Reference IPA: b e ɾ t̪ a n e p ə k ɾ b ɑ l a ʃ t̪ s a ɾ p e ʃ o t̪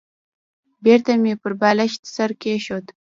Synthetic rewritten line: b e ɾ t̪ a m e p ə ɾ b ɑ l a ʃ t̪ s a ɾ k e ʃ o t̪